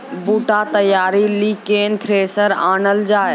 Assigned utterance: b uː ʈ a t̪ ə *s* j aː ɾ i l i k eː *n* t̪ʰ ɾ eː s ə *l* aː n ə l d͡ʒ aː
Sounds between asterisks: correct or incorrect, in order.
incorrect: none, correct, incorrect: ɾ

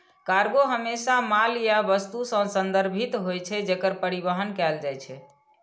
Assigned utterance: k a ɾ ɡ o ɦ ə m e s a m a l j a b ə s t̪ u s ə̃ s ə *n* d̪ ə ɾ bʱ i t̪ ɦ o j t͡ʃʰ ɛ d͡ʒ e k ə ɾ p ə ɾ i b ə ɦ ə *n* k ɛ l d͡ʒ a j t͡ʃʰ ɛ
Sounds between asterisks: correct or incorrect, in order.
correct, correct

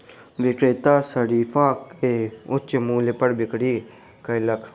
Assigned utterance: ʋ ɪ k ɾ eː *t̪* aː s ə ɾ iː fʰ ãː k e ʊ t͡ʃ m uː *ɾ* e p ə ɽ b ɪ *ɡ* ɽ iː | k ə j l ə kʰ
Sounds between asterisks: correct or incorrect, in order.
correct, incorrect: l, incorrect: k

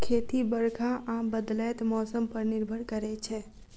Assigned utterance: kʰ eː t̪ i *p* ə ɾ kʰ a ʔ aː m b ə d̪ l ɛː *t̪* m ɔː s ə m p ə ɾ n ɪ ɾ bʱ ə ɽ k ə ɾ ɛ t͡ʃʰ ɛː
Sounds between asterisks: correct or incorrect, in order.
incorrect: b, correct

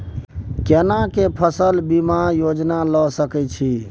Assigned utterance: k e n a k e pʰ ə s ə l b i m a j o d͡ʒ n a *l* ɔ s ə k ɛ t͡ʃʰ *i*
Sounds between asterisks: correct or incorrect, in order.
correct, correct

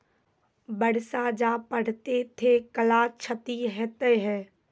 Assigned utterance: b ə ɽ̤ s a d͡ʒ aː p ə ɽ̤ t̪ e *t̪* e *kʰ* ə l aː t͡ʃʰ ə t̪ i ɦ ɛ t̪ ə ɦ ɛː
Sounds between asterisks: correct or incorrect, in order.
incorrect: t̪ʰ, incorrect: k

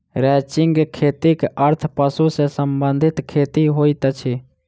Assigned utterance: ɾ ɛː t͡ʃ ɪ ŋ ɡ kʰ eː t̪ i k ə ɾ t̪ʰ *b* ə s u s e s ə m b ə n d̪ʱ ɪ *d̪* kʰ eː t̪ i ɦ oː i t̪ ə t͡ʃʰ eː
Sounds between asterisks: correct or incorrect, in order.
incorrect: p, incorrect: t̪

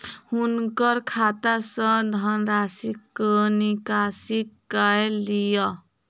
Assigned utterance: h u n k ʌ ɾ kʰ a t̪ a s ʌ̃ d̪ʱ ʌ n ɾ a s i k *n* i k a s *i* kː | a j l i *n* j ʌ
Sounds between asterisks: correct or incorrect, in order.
correct, correct, incorrect: none

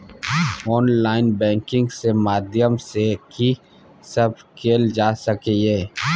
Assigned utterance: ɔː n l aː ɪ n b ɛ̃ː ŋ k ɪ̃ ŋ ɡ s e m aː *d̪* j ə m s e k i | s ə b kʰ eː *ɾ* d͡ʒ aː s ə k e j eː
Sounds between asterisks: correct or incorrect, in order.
correct, incorrect: l

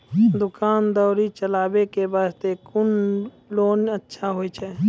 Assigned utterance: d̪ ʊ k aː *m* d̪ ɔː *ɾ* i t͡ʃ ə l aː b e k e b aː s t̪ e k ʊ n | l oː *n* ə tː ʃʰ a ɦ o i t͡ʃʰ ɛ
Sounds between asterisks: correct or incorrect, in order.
incorrect: n, correct, correct

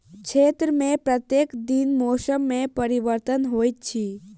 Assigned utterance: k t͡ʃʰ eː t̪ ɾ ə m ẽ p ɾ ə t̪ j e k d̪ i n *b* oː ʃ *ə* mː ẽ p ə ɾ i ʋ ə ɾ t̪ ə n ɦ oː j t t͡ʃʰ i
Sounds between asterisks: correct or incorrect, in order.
incorrect: m, correct

